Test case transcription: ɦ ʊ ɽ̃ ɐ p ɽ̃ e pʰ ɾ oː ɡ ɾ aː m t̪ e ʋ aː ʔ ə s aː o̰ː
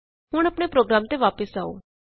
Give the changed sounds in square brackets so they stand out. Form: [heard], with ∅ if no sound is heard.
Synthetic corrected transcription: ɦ ʊ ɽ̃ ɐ p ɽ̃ e [p] ɾ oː ɡ ɾ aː m t̪ e ʋ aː [p] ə s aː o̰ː